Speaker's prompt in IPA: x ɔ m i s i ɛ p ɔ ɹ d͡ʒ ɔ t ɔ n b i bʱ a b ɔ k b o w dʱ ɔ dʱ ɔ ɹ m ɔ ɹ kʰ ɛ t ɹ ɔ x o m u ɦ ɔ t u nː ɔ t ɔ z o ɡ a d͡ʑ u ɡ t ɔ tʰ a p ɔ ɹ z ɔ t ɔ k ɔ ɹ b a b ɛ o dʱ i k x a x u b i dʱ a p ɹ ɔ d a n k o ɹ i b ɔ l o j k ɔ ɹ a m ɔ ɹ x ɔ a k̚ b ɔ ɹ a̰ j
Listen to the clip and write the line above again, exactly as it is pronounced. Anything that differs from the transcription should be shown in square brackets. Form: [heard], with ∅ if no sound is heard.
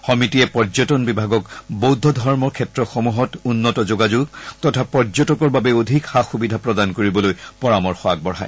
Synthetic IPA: x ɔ m i [t] i ɛ p ɔ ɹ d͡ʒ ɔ t ɔ n b i bʱ a [ɡ] ɔ k b o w dʱ ɔ dʱ ɔ ɹ m ɔ ɹ kʰ ɛ t ɹ ɔ x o m u ɦ ɔ t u nː ɔ t ɔ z o ɡ a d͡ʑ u ɡ t ɔ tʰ a p ɔ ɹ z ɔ t ɔ k ɔ ɹ b a b ɛ o dʱ i k x a x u b i dʱ a p ɹ ɔ d a n k o ɹ i b ɔ l o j [p] ɔ ɹ a m ɔ ɹ x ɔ a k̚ b ɔ ɹ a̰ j